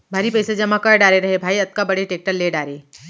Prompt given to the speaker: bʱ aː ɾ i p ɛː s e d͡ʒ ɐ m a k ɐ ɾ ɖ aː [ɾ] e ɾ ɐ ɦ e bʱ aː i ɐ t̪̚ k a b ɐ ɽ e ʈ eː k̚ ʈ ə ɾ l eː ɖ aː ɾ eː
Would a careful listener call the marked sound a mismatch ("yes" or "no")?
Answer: no